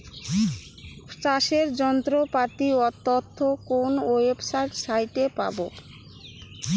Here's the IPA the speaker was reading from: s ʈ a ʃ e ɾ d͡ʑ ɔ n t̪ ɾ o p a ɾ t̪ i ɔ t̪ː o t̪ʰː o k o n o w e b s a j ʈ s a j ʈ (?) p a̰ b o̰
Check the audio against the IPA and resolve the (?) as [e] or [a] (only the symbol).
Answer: e